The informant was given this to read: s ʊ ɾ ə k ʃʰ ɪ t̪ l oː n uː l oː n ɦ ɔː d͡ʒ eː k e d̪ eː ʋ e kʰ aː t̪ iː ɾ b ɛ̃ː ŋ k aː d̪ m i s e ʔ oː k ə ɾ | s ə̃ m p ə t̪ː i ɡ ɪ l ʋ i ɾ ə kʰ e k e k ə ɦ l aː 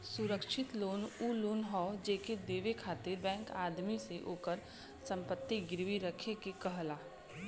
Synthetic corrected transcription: s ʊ ɾ ə k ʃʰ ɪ t̪ l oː n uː l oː n ɦ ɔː d͡ʒ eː k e d̪ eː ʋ e kʰ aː t̪ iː ɾ b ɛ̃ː ŋ k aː d̪ m i s e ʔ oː k ə ɾ | s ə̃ m p ə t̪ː i ɡ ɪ ɾ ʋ i ɾ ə kʰ e k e k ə ɦ l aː

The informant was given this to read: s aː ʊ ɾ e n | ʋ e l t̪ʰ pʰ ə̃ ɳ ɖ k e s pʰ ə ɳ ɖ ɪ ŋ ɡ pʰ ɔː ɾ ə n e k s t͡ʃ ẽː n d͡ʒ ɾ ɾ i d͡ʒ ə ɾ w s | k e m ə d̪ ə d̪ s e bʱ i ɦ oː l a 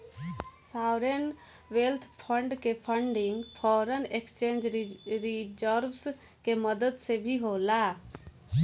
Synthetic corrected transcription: s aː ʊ ɾ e n | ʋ e l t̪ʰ pʰ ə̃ ɳ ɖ k e pʰ ə ɳ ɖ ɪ ŋ ɡ pʰ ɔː ɾ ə n e k s t͡ʃ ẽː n d͡ʒ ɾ ɾ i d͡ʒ ə ɾ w s | k e m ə d̪ ə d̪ s e bʱ i ɦ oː l a

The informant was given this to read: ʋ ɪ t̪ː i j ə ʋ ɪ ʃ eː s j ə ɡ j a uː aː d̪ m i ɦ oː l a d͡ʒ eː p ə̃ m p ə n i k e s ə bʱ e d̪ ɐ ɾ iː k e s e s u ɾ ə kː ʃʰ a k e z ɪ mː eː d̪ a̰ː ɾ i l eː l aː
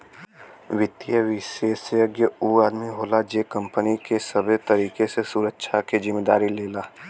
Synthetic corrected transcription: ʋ ɪ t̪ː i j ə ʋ ɪ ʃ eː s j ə ɡ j ə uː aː d̪ m i ɦ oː l a d͡ʒ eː k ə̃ m p ə n i k e s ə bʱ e t̪ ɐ ɾ iː k e s e s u ɾ ə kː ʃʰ a k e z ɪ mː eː d̪ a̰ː ɾ i l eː l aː

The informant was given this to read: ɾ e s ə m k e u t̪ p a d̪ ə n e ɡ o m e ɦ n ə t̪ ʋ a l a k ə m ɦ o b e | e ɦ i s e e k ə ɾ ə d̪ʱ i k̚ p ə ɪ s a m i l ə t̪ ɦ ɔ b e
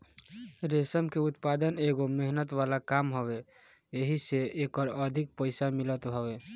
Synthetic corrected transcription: ɾ e s ə m k e u t̪ p a d̪ ə n e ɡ o m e ɦ n ə t̪ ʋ a l a k a m ɦ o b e | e ɦ i s e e k ə ɾ ə d̪ʱ i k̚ p ə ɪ s a m i l ə t̪ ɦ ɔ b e

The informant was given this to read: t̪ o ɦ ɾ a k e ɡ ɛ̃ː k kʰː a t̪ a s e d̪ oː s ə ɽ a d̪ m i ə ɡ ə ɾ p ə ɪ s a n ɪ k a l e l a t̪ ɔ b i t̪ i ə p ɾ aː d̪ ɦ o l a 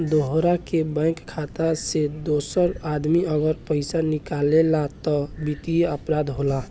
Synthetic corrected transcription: d̪ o ɦ ɾ a k e b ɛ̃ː k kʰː a t̪ a s e d̪ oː s ə ɾ a d̪ m i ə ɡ ə ɾ p ə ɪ s a n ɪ k a l e l a t̪ ɔ b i t̪ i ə p ɾ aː d̪ ɦ o l a

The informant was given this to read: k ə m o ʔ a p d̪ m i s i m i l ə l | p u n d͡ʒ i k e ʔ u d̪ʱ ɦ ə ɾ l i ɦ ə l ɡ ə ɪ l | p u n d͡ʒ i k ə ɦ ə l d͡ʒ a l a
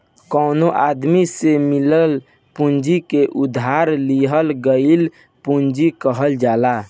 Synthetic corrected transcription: k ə n o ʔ a d̪ m i s e m i l ə l | p u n d͡ʒ i k e ʔ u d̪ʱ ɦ a ɾ l i ɦ ə l ɡ ə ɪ l | p u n d͡ʒ i k ə ɦ ə l d͡ʒ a l a

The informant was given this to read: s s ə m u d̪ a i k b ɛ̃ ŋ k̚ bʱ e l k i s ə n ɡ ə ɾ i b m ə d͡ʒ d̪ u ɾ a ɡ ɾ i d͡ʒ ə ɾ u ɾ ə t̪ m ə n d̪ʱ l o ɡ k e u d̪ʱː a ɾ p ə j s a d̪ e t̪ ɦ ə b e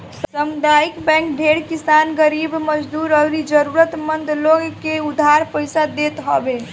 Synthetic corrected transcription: s s ə m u d̪ a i k b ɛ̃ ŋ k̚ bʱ e ɽ k i s a n ɡ ə ɾ i b m ə d͡ʒ d̪ u ɾ ə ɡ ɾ i d͡ʒ ə ɾ u ɾ ə t̪ m ə n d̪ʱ l o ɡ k e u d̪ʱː a ɾ p ə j s a d̪ e t̪ ɦ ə b e

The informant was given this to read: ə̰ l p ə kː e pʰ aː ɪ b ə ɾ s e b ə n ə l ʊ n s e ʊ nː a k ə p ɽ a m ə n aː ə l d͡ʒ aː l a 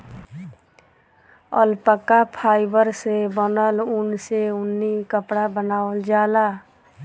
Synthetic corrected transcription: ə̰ l p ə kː a pʰ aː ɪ b ə ɾ s e b ə n ə l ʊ n s e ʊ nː i k ə p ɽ a b ə n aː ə l d͡ʒ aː l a

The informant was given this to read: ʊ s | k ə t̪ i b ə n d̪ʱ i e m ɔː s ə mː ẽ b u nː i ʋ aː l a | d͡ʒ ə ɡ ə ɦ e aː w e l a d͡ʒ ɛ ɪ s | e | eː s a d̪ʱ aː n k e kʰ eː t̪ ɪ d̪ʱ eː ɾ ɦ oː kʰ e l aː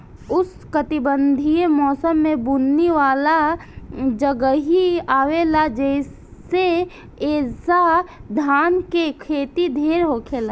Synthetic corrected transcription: ʊ s | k ə t̪ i b ə n d̪ʱ i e m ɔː s ə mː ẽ b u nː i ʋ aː l a | d͡ʒ ə ɡ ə ɦ i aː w e l a d͡ʒ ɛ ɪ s | e | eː s a d̪ʱ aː n k e kʰ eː t̪ i d̪ʱ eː ɾ ɦ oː kʰ e l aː

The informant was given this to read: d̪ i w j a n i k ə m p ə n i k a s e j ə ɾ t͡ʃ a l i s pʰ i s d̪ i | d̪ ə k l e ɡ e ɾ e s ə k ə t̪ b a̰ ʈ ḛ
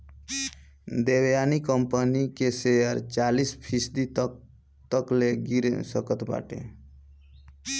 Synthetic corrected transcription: d̪ e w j a n i k ə m p ə n i k e s e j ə ɾ t͡ʃ a l i s pʰ i s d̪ i | t̪ ə k l e ɡ i ɾ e s ə k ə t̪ b a̰ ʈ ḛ

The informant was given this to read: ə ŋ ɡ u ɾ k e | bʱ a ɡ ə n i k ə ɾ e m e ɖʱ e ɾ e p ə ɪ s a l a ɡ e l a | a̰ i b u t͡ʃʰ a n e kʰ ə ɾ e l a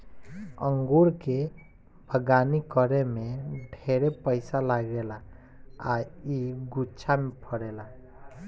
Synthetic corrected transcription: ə ŋ ɡ u ɾ k e | bʱ ə ɡ a n i k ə ɾ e m e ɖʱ e ɾ e p ə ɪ s a l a ɡ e l a | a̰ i ɡ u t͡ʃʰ a m e pʰ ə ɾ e l a

